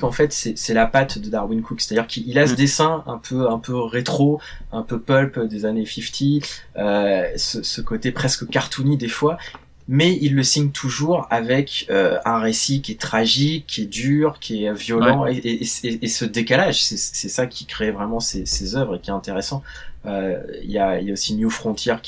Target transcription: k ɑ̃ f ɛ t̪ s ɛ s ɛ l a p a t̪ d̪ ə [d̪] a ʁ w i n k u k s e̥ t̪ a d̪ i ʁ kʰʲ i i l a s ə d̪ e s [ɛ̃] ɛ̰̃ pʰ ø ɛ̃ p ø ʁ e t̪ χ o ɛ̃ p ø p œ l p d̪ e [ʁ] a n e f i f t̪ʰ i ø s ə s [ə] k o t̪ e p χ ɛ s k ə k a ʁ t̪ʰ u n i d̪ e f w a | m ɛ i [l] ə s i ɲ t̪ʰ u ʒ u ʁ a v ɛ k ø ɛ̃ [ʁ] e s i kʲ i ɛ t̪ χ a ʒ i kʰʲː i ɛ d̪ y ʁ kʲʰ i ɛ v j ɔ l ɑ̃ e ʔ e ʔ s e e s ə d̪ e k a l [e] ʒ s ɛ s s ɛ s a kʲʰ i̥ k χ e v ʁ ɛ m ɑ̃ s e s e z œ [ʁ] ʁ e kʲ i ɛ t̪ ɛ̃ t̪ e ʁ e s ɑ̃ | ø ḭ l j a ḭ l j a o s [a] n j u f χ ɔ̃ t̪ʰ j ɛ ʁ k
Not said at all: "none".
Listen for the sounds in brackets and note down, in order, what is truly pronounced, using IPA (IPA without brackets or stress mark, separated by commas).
d̪, ɛ̃, z, ə, lː, ʁ, a, v, i